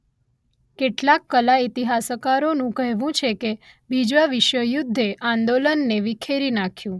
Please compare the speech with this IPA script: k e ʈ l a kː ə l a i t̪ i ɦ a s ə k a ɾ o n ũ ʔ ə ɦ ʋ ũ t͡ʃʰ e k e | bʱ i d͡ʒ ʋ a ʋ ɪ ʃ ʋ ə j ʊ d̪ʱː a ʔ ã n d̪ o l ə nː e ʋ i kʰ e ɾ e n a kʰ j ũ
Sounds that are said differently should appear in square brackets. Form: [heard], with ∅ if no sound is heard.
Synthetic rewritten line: k e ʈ l a kː ə l a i t̪ i ɦ a s ə k a ɾ o n ũ [k] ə ɦ ʋ ũ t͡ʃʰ e k e | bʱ i d͡ʒ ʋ a ʋ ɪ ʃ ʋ ə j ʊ d̪ʱː [e] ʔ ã n d̪ o l ə nː e ʋ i kʰ e ɾ [i] n a kʰ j ũ

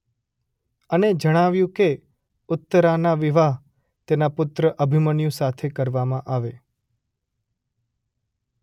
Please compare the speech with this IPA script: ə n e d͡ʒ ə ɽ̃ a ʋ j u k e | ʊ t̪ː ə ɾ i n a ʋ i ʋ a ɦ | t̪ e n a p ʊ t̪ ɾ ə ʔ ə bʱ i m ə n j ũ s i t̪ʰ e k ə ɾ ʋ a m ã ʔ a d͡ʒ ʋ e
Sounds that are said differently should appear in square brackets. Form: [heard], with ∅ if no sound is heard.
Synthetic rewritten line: ə n e d͡ʒ ə ɽ̃ a ʋ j [ũ] k e | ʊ t̪ː ə ɾ [a] n a ʋ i ʋ a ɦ | t̪ e n a p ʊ t̪ ɾ ə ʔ ə bʱ i m ə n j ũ s [a] t̪ʰ e k ə ɾ ʋ a m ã ʔ a [∅] ʋ e

